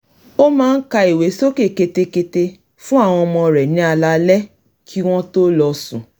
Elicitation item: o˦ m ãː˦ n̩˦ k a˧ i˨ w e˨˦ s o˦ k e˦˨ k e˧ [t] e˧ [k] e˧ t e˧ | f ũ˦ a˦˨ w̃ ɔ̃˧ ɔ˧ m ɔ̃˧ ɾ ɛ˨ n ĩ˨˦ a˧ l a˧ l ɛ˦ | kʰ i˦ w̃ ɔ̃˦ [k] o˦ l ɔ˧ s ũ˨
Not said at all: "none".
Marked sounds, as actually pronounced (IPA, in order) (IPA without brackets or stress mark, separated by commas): t, k, t